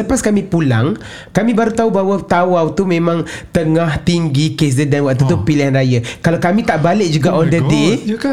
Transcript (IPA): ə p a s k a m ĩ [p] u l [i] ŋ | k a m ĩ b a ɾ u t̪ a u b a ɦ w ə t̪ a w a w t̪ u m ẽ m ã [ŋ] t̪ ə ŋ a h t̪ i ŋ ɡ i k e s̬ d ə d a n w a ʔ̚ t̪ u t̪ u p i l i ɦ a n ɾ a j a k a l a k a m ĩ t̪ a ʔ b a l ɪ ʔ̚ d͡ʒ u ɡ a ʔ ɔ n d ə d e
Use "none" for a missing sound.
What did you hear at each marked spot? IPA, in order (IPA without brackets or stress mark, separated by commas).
p, a, ŋ